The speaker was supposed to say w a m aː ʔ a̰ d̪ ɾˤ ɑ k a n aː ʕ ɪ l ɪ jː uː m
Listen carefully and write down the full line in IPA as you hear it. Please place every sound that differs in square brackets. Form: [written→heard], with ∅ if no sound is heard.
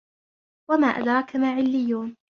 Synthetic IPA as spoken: w a m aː ʔ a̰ d̪ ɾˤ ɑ k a [n→m] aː ʕ ɪ [l→lː] ɪ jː uː [m→n]